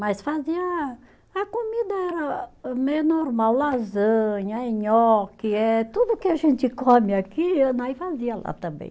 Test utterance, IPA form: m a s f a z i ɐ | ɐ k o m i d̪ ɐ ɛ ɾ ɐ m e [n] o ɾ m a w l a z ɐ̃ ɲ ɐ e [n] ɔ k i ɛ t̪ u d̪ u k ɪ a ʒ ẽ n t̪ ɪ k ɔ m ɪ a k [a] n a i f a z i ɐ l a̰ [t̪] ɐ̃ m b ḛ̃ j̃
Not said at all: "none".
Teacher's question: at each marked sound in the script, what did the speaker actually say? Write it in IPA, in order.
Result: n, ɲ, i, t̪

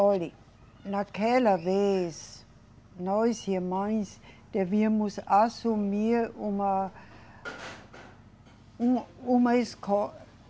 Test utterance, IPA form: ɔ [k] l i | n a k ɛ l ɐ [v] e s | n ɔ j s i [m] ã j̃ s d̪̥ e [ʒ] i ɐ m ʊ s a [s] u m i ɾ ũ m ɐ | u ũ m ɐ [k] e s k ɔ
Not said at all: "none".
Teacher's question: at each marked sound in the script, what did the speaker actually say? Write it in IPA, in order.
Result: none, v, m, v, s, none

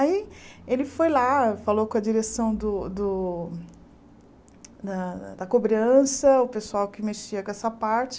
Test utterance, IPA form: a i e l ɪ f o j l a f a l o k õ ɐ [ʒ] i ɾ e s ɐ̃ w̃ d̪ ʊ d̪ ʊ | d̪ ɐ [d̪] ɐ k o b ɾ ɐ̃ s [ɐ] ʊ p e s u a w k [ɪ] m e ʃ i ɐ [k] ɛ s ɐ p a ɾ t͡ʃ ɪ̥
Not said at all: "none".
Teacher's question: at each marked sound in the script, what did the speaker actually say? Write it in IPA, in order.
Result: d͡ʒ, d̪, ɐ, ɪ, k

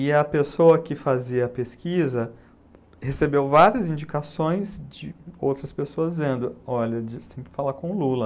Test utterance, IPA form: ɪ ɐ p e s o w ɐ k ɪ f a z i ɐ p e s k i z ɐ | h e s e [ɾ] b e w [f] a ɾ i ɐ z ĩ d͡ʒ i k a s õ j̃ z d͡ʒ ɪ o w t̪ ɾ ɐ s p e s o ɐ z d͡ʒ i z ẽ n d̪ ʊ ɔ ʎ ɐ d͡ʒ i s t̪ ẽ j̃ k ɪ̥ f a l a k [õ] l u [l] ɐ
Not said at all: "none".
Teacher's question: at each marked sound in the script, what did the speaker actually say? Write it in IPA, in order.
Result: none, v, õ, l

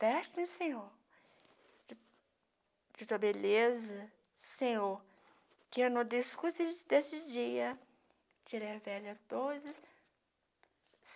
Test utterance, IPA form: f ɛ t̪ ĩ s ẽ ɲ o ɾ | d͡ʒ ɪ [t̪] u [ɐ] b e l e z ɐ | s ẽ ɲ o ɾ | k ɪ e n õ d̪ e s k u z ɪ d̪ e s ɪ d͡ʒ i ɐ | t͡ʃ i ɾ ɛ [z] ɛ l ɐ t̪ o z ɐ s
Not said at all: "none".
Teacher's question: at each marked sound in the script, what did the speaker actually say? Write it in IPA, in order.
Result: t̪, ɐ, v

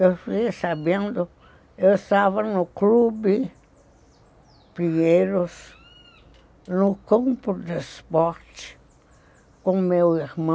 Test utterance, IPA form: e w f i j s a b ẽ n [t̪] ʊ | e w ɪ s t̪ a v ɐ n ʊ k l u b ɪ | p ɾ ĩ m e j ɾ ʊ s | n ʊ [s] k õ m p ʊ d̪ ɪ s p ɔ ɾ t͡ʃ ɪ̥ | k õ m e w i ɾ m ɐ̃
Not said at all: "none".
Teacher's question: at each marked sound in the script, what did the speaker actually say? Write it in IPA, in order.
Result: d̪, none

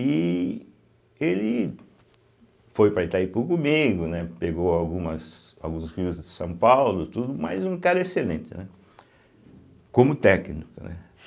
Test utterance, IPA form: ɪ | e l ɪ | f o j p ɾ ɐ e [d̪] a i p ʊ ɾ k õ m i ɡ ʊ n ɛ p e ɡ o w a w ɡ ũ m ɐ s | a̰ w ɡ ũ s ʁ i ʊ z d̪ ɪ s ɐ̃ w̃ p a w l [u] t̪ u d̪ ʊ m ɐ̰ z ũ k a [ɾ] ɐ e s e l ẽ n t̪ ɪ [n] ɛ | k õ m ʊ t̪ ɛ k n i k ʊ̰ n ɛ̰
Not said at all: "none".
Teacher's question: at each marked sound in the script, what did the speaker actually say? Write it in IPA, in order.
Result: t̪, ʊ, ɾ, n

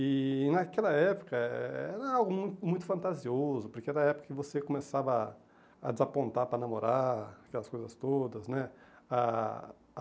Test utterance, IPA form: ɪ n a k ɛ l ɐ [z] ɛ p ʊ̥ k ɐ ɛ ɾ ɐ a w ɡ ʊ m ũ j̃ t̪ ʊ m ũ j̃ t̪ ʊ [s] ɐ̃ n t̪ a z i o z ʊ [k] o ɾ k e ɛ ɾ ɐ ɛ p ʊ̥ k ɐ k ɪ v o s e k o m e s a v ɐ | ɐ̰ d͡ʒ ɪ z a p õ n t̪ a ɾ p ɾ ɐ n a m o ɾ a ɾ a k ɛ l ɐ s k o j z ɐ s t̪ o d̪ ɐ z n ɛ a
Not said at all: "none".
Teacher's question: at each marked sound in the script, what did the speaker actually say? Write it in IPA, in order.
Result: none, f, p

